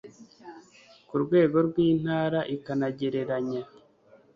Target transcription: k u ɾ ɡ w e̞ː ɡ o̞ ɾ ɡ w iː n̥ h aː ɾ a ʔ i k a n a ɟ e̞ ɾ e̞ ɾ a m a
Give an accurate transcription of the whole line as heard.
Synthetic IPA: k u ɾ ɡ w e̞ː ɡ o̞ ɾ ɡ w iː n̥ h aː ɾ a ʔ i k a n a ɟ e̞ ɾ e̞ ɾ a ɲ a